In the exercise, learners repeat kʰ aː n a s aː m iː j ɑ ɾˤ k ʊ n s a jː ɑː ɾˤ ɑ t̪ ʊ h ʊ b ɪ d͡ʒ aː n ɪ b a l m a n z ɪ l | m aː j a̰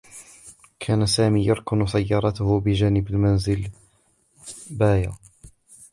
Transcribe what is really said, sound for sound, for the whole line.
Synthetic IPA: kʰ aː n a s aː m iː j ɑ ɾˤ k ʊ n s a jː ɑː ɾˤ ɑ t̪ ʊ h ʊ b ɪ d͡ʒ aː n ɪ b a l m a n z ɪ l | b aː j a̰